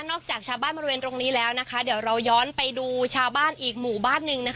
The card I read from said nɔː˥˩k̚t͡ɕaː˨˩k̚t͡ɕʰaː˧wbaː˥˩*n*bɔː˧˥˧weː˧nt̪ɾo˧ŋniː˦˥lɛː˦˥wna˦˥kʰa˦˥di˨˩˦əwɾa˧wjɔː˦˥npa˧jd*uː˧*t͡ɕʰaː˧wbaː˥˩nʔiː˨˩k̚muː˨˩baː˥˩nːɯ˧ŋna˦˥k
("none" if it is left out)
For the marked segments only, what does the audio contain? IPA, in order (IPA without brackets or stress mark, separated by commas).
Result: n, uː˧